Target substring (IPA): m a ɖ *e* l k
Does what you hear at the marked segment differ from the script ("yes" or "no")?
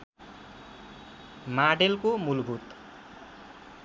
no